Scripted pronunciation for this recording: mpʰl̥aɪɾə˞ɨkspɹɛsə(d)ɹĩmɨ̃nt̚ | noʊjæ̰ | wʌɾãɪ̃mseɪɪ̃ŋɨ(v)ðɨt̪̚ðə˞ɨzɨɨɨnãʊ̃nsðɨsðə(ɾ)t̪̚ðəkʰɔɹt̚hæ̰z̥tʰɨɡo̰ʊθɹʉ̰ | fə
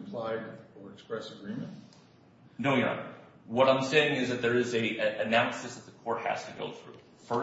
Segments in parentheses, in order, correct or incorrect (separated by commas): incorrect, incorrect, incorrect